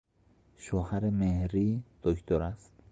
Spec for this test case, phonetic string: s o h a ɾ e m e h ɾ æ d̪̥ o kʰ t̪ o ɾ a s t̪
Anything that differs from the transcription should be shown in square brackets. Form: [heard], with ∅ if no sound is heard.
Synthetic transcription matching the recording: [ʃ] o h a ɾ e m e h ɾ [i] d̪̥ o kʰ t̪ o ɾ a s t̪